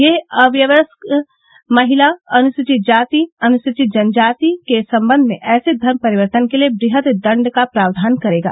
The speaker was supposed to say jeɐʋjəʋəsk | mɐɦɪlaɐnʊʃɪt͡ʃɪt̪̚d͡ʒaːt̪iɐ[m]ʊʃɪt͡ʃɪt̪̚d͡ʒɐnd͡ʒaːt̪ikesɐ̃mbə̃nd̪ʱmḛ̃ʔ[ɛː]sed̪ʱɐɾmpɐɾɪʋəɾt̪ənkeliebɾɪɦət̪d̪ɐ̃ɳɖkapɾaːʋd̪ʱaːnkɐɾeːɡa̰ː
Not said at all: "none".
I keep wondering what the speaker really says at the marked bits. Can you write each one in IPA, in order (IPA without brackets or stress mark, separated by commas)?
n, ɛː